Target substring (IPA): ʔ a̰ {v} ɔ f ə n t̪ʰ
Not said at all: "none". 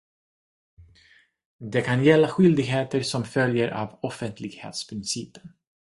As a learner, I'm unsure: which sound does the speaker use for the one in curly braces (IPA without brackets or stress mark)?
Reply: v